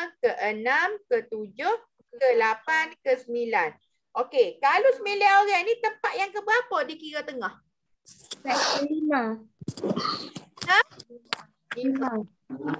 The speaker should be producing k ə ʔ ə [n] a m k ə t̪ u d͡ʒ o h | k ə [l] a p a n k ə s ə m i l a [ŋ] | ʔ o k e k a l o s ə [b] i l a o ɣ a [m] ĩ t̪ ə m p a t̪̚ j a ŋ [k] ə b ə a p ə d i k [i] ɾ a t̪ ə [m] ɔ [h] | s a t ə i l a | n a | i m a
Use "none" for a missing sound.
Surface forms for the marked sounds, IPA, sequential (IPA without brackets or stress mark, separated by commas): n, l, n, m, n, k, i, ŋ, h